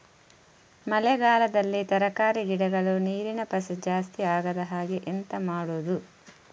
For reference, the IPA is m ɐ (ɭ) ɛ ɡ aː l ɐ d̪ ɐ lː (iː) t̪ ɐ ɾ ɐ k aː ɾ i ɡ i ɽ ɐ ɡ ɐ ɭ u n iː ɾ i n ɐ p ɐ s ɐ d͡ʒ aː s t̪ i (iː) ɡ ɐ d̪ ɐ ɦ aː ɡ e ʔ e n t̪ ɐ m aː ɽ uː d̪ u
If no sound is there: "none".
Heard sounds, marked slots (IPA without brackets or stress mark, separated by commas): l, i, aː